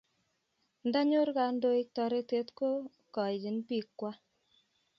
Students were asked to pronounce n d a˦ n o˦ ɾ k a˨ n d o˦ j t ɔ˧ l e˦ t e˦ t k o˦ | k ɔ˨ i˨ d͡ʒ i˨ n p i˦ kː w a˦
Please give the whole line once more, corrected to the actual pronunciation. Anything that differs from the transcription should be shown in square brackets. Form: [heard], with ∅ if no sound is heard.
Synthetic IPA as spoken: n d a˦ [ɲ] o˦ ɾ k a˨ n d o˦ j t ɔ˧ [ɾ] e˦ t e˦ t k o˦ | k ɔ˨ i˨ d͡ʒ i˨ n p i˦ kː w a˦